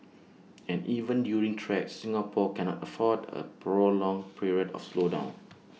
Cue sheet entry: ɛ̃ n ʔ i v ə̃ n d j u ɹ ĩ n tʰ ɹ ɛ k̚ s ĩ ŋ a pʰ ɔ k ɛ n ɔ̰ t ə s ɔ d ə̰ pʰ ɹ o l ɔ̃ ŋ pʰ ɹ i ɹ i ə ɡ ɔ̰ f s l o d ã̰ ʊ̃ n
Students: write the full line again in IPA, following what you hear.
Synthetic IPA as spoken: ɛ̃ n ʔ i v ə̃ n d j u ɹ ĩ ŋ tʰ ɹ ɛ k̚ s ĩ ŋ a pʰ ɔ k ɛ n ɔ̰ t ə f ɔ d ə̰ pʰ ɹ o l ɔ̃ ŋ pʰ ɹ i ɹ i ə d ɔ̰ f s l o d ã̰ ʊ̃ n